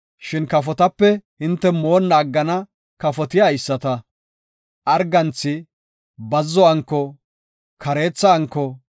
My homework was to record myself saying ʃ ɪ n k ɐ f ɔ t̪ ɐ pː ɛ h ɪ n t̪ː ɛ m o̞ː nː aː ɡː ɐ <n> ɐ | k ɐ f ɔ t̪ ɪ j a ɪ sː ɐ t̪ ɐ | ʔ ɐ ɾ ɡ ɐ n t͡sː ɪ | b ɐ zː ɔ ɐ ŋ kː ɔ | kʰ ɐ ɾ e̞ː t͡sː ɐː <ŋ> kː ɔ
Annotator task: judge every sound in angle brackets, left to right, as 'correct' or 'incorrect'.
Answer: correct, correct

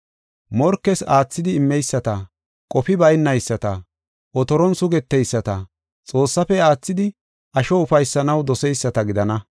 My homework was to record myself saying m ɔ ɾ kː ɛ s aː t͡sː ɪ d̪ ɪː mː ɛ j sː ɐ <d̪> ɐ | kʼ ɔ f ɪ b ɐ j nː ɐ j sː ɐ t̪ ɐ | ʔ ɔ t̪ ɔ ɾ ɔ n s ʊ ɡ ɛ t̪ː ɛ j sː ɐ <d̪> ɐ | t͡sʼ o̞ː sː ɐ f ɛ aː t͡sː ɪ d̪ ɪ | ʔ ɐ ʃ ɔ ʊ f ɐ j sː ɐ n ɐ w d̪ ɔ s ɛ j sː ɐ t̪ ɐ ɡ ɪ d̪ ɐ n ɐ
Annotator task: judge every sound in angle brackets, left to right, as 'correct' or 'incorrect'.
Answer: incorrect, incorrect

